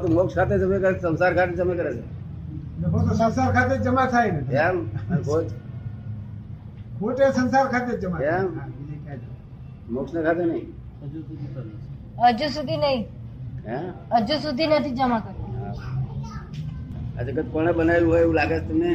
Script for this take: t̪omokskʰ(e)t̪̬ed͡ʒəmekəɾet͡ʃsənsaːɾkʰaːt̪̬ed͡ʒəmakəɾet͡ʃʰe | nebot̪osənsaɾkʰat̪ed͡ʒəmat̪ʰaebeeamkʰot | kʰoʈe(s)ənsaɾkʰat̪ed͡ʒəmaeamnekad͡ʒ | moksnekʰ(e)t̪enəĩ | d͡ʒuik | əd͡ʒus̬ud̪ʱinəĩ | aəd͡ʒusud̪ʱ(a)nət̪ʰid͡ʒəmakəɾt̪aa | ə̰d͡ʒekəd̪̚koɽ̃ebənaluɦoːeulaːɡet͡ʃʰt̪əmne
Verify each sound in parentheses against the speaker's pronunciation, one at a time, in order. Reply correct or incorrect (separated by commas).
incorrect, correct, incorrect, incorrect